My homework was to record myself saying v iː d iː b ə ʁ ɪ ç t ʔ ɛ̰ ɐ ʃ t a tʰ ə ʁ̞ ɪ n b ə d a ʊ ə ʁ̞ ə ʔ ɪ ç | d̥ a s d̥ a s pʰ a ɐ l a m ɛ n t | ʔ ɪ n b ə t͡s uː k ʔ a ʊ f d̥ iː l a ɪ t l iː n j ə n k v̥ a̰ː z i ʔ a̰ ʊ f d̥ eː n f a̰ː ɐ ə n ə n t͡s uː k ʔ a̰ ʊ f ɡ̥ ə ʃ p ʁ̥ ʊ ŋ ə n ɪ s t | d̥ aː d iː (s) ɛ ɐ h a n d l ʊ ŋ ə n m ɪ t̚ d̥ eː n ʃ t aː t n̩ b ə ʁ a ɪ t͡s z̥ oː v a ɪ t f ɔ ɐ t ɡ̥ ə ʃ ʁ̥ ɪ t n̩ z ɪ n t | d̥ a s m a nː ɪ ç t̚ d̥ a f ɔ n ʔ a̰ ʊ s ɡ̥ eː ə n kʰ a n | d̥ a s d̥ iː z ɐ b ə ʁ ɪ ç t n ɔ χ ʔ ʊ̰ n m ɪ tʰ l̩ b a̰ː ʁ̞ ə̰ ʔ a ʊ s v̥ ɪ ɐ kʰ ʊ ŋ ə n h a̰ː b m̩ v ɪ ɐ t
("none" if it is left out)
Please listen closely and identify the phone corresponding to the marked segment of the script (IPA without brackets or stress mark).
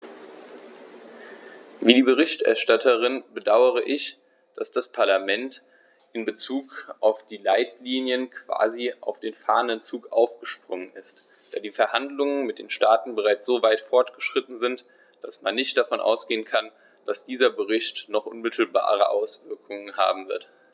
f